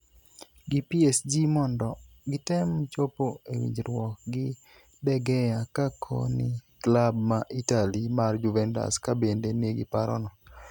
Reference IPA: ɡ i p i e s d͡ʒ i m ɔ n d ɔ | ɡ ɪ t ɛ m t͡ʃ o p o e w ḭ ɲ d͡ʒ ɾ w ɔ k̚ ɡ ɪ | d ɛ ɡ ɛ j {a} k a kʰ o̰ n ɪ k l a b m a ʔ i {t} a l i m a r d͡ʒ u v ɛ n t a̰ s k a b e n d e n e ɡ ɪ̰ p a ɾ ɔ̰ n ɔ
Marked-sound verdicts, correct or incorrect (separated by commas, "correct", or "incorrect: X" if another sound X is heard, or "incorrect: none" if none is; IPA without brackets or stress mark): correct, correct